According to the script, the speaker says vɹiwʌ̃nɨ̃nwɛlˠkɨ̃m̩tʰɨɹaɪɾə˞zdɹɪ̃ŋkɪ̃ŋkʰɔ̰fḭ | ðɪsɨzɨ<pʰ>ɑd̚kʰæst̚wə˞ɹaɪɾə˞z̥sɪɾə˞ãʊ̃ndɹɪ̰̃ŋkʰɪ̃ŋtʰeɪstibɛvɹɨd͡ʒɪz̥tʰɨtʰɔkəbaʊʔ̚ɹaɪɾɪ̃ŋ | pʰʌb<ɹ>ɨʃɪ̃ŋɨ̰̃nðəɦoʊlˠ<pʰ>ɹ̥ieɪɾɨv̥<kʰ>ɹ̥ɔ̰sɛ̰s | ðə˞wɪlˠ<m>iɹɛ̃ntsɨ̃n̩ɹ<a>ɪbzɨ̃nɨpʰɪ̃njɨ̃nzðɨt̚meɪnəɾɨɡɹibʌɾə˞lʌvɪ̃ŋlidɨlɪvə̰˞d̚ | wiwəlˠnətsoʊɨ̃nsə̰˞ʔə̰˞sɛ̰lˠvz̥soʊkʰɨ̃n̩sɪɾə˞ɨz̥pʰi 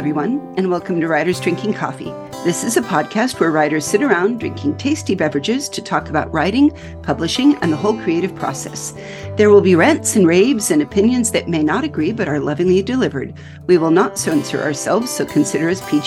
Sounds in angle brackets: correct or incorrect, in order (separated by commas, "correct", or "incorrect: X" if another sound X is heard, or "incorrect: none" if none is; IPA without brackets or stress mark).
correct, incorrect: l, incorrect: kʰ, incorrect: pʰ, incorrect: b, incorrect: e